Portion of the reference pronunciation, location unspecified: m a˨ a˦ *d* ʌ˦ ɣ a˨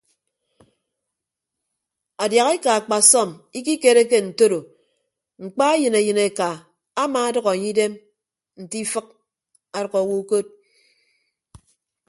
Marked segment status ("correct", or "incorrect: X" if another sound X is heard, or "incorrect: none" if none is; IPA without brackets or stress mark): correct